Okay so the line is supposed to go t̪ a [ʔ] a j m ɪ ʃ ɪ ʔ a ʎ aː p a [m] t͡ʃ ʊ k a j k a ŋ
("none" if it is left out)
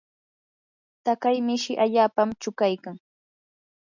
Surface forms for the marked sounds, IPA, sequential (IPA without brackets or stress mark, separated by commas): k, m